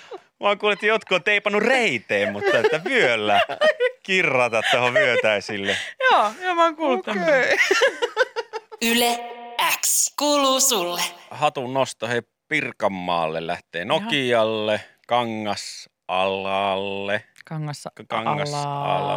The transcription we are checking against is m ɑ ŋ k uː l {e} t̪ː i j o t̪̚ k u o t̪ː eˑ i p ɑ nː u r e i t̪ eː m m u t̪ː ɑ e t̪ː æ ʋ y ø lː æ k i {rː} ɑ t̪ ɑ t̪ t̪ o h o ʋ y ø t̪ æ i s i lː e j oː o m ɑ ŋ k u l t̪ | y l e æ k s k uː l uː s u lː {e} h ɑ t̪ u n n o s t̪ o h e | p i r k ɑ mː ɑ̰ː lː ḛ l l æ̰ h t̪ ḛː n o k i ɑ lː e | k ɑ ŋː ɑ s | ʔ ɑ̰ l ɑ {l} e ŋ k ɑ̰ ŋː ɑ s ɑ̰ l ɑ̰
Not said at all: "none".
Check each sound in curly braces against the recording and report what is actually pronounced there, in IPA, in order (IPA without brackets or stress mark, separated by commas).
e, rː, e, lː